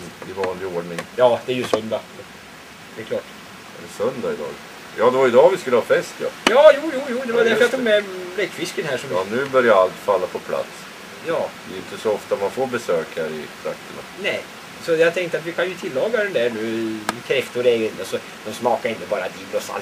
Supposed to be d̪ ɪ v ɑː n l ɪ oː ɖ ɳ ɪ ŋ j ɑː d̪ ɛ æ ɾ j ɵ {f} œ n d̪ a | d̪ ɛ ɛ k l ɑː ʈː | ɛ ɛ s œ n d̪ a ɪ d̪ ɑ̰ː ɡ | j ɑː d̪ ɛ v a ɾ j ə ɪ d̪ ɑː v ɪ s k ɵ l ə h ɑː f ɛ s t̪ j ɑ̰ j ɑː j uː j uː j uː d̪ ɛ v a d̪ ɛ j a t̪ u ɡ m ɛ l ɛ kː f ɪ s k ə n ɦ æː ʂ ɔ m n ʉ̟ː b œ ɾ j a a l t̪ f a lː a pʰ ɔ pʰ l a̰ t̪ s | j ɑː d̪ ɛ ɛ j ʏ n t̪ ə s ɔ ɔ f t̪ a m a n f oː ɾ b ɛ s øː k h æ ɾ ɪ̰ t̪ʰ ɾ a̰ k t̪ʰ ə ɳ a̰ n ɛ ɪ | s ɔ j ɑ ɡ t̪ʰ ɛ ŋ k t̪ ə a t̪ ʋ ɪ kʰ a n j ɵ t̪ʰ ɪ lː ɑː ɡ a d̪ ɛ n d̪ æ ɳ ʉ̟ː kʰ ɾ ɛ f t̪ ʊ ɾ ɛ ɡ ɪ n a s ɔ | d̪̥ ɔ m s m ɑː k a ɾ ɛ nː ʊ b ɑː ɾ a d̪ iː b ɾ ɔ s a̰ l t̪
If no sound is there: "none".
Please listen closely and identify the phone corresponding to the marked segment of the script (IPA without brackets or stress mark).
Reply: s